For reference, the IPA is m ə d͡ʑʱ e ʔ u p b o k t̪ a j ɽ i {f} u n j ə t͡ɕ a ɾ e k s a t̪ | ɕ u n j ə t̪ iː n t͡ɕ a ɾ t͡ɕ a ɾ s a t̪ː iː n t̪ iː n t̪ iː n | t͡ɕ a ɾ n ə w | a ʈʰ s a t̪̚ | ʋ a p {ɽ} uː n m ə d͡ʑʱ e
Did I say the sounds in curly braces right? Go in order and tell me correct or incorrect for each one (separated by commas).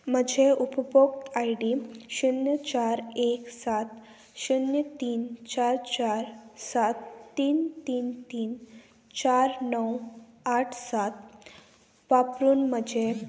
incorrect, incorrect